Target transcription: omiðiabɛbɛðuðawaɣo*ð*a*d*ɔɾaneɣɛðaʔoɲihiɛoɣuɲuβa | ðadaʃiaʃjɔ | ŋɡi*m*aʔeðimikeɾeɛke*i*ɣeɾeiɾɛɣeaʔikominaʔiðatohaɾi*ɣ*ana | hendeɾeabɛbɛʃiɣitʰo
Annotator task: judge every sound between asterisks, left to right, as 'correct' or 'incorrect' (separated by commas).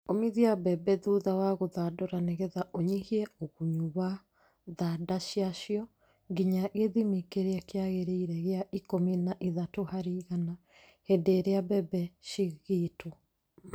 correct, correct, incorrect, incorrect, correct